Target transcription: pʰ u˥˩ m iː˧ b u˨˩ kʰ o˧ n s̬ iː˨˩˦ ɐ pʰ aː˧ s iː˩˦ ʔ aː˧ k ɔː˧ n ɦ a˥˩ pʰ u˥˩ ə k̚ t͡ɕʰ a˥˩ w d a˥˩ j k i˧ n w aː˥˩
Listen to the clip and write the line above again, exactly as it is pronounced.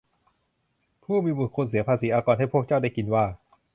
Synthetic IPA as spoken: pʰ uː˥˩ m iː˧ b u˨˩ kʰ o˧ n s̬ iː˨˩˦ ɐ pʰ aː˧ s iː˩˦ ʔ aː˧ k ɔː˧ n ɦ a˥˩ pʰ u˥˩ ə k̚ t͡ɕ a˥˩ w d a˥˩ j k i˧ n w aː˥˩